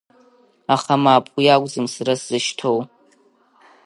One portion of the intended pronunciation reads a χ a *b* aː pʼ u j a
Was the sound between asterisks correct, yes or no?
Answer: no